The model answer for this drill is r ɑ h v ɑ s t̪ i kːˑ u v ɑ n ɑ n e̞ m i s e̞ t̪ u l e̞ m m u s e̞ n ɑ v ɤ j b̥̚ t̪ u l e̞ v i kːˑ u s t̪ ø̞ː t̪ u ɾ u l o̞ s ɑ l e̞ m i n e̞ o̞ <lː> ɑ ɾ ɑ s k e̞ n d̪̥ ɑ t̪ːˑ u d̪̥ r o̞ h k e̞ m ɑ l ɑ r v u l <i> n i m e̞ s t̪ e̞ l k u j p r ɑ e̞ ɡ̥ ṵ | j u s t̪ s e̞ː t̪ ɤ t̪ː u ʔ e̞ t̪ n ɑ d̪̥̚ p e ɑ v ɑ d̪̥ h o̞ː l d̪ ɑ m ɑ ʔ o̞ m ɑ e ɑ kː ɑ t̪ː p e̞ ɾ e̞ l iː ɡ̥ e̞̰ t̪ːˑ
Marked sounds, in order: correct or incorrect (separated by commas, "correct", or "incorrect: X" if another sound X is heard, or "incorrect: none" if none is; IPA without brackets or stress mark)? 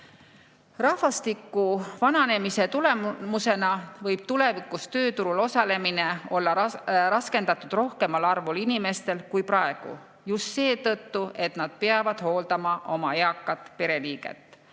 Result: correct, correct